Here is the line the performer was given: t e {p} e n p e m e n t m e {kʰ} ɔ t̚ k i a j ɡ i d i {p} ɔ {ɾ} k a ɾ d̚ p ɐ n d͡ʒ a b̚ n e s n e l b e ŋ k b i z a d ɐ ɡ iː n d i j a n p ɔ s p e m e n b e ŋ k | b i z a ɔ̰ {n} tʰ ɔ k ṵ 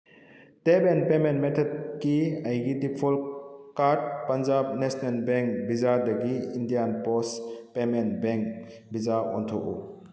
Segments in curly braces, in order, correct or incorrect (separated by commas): incorrect, incorrect, incorrect, incorrect, correct